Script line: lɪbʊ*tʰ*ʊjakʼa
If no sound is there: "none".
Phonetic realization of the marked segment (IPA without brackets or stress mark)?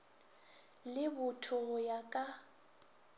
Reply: tʰ